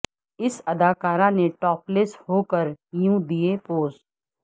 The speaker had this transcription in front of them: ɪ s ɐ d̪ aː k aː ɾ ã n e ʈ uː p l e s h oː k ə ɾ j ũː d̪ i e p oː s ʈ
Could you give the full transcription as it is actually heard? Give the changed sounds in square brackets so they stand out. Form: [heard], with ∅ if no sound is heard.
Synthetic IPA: ɪ s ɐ d̪ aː k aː ɾ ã n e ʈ [ɔː] p l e s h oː k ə ɾ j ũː d̪ i e p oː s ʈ